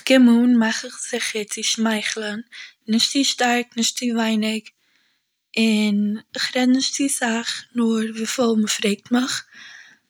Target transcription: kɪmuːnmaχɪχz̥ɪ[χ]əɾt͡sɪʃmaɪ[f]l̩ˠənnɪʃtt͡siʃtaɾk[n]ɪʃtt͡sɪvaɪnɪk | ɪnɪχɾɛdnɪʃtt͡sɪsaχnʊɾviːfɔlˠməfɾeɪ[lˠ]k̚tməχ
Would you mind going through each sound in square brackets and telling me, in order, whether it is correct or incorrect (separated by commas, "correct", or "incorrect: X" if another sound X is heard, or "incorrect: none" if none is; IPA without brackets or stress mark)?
correct, incorrect: χ, correct, incorrect: none